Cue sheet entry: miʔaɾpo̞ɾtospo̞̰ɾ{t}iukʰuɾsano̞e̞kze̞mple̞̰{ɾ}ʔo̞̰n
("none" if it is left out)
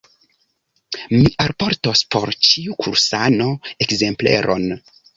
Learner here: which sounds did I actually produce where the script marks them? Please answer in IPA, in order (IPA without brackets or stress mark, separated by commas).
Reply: t͡ʃ, ɾ